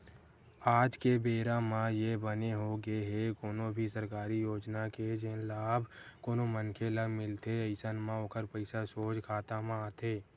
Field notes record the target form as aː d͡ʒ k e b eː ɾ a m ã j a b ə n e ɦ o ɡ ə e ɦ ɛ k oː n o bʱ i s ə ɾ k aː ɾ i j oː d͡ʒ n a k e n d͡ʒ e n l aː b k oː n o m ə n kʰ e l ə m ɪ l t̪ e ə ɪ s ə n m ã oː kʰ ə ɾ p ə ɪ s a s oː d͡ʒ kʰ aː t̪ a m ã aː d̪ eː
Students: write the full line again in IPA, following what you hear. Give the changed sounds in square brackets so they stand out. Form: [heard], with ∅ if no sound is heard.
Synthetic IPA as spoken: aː d͡ʒ k e b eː ɾ a m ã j [e] b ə n e ɦ o ɡ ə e ɦ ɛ k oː n o bʱ i s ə ɾ k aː ɾ i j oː d͡ʒ n a k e [∅] d͡ʒ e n l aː b k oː n o m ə n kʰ e l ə m ɪ l t̪ e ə ɪ s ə n m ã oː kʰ ə ɾ p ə ɪ s a s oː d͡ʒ kʰ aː t̪ a m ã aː [t̪] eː